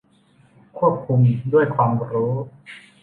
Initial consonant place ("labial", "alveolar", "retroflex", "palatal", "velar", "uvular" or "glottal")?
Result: velar